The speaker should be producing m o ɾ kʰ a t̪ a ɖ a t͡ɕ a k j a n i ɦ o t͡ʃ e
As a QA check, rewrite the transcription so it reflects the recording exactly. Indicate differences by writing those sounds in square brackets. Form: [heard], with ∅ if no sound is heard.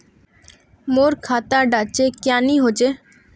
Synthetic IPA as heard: m o ɾ kʰ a t̪ a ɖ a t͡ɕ [e] k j a n i ɦ o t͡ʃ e